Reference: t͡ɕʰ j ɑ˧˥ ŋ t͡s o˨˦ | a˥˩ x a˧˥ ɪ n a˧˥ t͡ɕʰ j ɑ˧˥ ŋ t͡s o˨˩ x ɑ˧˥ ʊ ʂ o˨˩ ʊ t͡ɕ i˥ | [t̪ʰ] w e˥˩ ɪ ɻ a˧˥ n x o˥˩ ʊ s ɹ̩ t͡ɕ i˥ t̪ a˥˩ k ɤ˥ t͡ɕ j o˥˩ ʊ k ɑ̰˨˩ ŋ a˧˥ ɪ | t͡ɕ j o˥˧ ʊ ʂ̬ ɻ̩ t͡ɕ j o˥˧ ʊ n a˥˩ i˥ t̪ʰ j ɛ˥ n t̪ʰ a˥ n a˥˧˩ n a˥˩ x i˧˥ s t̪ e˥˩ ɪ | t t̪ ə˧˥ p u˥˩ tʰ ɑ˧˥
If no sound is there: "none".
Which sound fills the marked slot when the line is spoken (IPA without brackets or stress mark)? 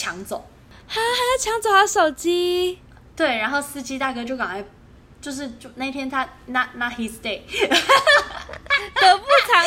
t̪